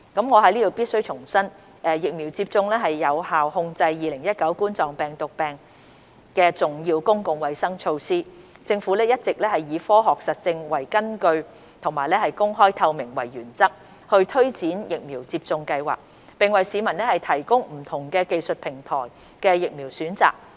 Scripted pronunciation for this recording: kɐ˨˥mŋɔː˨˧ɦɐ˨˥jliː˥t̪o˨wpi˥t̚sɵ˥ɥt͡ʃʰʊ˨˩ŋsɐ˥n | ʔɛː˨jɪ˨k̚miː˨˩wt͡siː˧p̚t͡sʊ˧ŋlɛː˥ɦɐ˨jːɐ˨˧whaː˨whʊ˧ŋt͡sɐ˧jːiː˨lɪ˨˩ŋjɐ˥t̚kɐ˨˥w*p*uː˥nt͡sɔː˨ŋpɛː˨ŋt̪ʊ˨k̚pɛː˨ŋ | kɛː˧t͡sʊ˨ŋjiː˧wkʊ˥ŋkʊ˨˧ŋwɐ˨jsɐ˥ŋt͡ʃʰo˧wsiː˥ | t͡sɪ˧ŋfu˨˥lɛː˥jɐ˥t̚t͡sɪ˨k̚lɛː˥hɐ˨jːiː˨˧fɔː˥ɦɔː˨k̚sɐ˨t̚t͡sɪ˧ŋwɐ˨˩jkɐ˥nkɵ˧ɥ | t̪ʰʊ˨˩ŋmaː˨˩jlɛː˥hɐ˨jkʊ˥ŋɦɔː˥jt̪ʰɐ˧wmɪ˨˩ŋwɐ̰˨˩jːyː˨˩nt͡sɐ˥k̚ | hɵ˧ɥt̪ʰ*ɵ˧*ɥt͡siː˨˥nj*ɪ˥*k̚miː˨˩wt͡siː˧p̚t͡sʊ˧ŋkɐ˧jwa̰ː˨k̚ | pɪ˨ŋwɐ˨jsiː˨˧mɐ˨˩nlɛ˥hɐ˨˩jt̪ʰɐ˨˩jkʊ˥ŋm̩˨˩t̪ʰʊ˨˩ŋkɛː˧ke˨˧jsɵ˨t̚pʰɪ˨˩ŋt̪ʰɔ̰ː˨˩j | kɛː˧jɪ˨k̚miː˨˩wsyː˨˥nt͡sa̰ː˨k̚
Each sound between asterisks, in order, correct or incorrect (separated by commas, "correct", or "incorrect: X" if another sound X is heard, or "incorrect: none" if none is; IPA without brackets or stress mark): incorrect: k, incorrect: ɵ˥, incorrect: ɪ˨